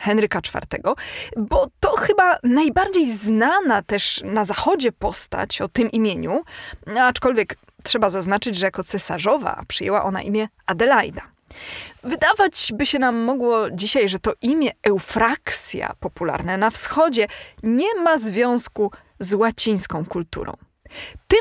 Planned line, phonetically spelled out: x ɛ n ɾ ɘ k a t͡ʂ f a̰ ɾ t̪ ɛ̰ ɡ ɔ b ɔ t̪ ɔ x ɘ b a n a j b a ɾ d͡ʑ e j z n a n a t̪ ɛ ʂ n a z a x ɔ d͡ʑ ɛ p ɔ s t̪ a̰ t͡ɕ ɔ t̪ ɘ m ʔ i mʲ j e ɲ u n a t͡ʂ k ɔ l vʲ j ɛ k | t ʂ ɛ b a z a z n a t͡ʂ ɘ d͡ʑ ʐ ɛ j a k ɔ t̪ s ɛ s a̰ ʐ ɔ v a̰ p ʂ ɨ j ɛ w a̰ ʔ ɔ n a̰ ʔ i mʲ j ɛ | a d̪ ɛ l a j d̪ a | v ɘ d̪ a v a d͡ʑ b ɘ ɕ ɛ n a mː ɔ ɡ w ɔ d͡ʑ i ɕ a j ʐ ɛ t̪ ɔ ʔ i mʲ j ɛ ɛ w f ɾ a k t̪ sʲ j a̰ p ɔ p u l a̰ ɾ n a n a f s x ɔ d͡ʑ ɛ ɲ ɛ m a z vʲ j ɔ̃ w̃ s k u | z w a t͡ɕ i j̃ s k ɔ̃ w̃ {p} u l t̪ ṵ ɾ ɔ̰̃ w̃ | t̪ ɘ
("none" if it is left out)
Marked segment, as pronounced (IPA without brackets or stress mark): k